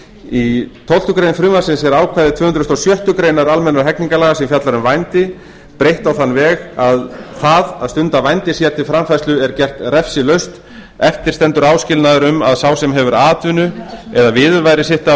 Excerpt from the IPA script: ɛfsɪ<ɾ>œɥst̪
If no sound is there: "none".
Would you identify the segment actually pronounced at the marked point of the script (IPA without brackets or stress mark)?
l